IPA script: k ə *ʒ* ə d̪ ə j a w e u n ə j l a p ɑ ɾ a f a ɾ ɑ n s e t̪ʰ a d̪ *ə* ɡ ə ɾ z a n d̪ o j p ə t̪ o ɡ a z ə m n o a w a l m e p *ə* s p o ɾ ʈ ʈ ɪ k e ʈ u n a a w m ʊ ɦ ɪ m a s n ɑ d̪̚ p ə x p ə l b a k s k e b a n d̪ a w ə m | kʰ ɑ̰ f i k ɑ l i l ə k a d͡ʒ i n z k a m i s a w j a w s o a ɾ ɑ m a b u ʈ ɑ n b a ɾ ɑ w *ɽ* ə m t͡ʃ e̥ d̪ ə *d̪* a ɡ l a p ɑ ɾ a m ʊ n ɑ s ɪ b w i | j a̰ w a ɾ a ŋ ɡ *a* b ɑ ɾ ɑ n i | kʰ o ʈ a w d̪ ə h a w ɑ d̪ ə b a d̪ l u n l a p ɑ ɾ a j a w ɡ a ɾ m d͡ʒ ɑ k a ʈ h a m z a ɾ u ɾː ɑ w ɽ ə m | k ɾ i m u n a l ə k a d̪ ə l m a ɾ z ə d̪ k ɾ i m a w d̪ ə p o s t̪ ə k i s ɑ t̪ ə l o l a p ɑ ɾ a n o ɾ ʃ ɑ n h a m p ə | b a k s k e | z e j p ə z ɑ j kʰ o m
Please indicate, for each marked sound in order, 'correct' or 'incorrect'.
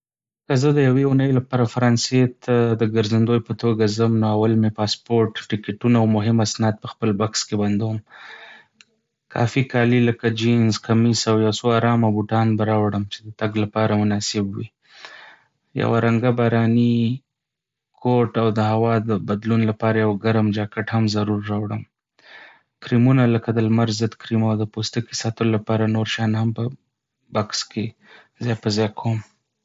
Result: incorrect: z, correct, incorrect: ɑ, correct, incorrect: t̪, correct

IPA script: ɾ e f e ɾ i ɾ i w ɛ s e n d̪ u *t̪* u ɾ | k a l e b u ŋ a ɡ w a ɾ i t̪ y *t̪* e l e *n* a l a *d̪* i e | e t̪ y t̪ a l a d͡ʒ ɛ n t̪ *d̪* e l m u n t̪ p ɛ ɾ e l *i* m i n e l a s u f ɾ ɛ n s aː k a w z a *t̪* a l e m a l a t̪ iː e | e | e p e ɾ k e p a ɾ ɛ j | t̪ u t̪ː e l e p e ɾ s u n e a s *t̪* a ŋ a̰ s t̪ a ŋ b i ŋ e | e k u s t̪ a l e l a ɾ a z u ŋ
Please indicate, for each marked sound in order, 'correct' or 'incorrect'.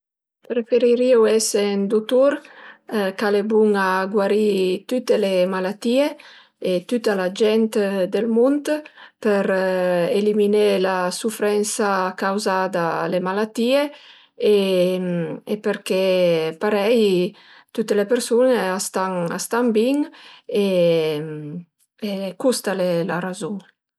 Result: correct, correct, incorrect: m, incorrect: t̪, correct, correct, incorrect: d̪, correct

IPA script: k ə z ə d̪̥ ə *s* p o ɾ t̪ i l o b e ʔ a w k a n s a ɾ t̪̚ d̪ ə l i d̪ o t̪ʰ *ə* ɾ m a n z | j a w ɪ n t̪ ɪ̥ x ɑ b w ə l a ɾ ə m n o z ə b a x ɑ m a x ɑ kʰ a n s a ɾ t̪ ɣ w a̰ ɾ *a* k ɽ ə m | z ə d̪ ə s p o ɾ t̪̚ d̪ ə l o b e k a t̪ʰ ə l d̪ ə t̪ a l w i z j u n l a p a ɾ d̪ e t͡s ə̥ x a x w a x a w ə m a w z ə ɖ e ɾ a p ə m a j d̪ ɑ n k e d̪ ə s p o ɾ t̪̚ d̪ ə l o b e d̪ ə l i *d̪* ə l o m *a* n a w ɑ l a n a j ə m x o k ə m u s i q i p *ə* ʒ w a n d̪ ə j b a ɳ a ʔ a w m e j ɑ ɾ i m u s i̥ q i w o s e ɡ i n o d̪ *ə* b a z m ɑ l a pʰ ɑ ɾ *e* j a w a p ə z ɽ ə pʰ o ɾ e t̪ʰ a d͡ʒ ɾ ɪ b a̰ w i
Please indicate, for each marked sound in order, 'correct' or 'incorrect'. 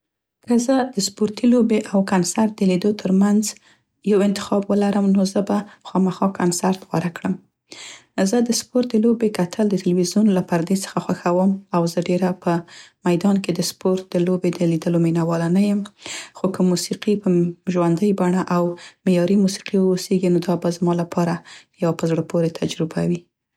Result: correct, correct, correct, correct, incorrect: i, correct, incorrect: ɑ, incorrect: a

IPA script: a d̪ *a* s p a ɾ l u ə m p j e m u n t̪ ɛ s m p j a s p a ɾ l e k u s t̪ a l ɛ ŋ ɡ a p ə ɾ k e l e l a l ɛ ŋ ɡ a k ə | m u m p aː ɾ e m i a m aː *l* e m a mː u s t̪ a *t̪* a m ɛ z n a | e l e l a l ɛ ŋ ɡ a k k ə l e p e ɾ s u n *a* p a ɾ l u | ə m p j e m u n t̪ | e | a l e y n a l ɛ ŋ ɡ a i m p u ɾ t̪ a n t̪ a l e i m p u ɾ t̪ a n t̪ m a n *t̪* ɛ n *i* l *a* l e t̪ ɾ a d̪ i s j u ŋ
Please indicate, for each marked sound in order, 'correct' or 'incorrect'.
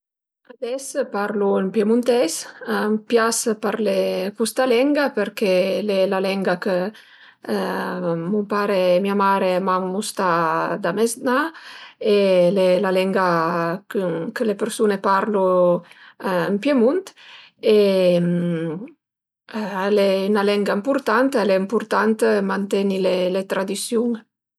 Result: incorrect: ɛ, incorrect: ɾ, incorrect: d̪, incorrect: e, correct, correct, incorrect: e

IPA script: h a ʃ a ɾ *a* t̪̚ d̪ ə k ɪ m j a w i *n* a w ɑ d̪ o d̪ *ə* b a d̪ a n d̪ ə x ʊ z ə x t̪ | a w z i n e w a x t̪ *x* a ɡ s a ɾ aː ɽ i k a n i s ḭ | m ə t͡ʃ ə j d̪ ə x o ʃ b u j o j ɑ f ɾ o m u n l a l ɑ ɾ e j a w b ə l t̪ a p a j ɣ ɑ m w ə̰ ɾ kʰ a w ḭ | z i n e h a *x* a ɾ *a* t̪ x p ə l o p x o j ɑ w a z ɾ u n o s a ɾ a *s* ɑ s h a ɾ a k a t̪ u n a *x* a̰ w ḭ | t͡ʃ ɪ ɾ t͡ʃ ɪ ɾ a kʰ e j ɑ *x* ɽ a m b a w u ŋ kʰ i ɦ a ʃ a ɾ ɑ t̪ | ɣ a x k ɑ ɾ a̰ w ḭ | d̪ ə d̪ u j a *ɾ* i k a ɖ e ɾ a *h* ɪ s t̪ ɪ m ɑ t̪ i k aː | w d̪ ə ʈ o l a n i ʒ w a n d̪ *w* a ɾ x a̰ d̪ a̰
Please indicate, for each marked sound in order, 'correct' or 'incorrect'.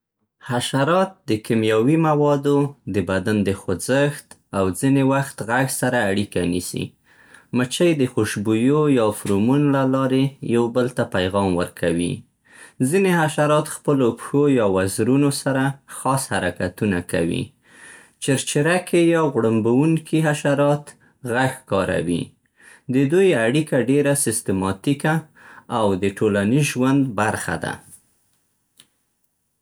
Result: incorrect: ɑ, incorrect: m, correct, incorrect: ɣ, incorrect: ʃ, incorrect: ɑ, incorrect: x, incorrect: k, incorrect: ɣ, incorrect: ɽ, incorrect: s, incorrect: b

